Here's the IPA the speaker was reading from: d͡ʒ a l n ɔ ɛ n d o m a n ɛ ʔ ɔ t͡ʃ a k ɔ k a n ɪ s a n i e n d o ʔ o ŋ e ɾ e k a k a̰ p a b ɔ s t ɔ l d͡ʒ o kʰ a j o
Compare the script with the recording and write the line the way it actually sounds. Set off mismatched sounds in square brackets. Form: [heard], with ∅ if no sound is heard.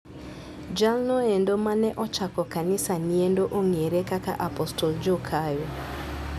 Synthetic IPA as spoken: d͡ʒ a l n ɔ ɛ n d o m a n ɛ ʔ ɔ t͡ʃ a k ɔ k a n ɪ s a n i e n d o ʔ o ŋ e ɾ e k a k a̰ [ʔ] a [p] ɔ s t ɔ l d͡ʒ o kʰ a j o